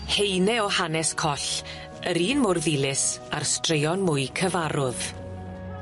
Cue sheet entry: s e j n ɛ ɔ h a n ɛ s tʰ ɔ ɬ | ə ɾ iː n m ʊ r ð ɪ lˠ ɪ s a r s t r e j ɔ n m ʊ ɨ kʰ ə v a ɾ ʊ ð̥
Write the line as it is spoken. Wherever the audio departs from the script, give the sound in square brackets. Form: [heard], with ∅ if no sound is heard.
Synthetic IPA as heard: [h] e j n ɛ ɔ h a n ɛ s [kʰ] ɔ ɬ | ə ɾ iː n m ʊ r ð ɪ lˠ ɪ s a r s t r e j ɔ n m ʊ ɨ kʰ ə v a ɾ ʊ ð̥